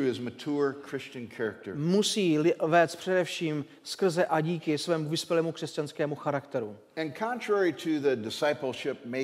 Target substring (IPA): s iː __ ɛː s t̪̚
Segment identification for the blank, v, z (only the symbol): v